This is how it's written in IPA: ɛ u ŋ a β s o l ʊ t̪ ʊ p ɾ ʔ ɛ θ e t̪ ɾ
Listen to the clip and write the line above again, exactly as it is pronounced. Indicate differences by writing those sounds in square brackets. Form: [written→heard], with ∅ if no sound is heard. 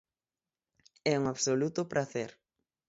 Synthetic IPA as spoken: ɛ u ŋ a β s o l [ʊ→u] t̪ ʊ p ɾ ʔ [ɛ→a] θ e [t̪→∅] ɾ